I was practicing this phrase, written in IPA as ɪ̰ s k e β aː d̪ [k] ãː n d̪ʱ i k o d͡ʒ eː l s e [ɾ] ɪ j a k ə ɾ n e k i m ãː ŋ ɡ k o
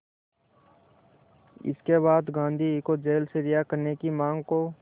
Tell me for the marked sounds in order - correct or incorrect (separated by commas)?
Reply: incorrect, correct